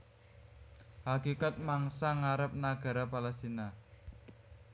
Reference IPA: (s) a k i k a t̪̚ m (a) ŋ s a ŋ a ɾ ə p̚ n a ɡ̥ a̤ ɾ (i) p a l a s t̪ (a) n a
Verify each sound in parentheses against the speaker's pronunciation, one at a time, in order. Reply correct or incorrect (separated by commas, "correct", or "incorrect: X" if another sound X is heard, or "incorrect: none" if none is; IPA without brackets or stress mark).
incorrect: h, correct, incorrect: a, incorrect: i